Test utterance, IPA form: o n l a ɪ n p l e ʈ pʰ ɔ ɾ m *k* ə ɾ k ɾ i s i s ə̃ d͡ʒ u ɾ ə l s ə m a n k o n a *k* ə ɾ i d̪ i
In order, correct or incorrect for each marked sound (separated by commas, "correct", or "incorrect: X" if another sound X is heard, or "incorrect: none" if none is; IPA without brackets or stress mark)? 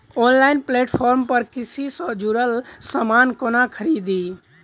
incorrect: p, incorrect: kʰ